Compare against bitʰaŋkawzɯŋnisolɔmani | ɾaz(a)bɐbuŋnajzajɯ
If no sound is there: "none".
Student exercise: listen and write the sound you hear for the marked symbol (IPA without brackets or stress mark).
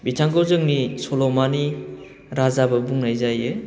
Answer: a